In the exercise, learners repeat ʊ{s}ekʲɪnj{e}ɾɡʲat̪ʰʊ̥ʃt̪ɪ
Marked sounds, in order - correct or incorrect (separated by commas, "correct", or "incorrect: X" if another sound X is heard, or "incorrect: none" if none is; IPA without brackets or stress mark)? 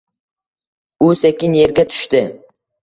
correct, correct